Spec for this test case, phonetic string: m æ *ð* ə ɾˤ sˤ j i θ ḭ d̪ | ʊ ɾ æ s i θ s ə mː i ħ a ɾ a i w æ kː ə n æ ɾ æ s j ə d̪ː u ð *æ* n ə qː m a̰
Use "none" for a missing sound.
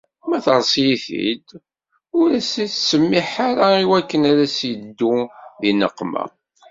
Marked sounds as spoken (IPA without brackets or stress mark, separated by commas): θ, i